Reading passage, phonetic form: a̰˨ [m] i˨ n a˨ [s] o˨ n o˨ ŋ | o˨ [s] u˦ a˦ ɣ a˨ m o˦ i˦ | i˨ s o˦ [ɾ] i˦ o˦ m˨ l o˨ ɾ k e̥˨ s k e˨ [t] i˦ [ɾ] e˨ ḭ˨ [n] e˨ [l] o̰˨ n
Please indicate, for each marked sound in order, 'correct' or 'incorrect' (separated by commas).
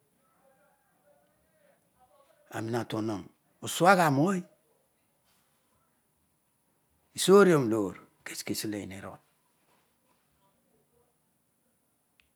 correct, incorrect, correct, correct, incorrect, incorrect, correct, incorrect